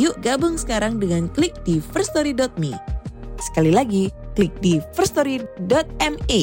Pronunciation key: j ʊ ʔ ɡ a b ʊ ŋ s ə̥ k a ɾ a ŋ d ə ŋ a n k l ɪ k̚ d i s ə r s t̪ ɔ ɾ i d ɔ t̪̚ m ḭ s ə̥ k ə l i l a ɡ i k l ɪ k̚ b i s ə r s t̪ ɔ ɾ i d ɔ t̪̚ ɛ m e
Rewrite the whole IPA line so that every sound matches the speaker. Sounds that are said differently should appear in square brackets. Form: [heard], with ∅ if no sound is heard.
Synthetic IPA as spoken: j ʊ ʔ ɡ a b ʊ ŋ s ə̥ k a ɾ a ŋ d ə ŋ a n k l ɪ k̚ d i [f] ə r s t̪ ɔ ɾ i d ɔ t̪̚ m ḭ s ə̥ k [a] l i l a ɡ i k l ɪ k̚ [d] i [f] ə r s t̪ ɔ ɾ i d ɔ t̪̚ ɛ m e